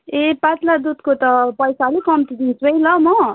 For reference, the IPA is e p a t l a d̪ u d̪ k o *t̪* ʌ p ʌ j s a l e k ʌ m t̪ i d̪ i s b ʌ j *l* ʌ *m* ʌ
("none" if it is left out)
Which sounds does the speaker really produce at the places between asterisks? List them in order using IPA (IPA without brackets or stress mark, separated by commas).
t̪, l, m